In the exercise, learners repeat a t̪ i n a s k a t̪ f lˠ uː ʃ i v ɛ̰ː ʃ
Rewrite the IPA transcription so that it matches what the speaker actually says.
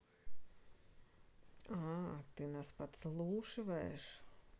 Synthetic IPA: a t̪ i n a s p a t̪ s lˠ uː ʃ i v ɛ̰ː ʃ